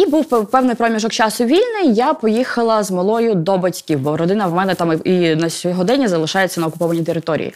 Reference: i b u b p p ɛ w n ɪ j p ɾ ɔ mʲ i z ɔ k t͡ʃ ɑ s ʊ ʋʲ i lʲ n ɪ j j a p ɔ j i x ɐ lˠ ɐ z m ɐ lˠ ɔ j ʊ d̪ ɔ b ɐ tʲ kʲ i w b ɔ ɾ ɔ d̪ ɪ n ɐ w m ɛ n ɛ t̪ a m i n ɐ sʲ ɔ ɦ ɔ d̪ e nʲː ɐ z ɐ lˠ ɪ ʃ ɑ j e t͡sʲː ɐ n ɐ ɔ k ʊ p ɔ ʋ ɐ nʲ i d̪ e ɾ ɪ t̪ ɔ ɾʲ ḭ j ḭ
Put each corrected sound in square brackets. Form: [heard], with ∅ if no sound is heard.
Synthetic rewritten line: i b u [w] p p ɛ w n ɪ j p ɾ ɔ mʲ i [ʒ] ɔ k t͡ʃ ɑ s ʊ ʋʲ i lʲ n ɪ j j a p ɔ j i x ɐ lˠ ɐ z m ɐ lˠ ɔ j ʊ d̪ ɔ b ɐ tʲ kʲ i w b ɔ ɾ ɔ d̪ ɪ n ɐ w m ɛ n ɛ t̪ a m i n ɐ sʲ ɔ ɦ ɔ d̪ [ɛ] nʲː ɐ z ɐ lˠ ɪ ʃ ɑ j e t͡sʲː ɐ n ɐ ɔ k ʊ p ɔ ʋ ɐ nʲ i [t̪] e ɾ ɪ t̪ ɔ ɾʲ ḭ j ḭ